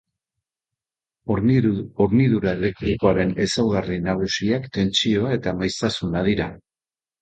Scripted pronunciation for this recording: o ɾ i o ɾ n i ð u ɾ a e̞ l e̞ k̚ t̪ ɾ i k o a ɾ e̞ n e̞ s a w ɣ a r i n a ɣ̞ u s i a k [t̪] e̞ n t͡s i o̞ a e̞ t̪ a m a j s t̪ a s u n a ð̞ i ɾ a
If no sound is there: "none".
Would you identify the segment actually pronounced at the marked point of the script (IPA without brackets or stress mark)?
t̪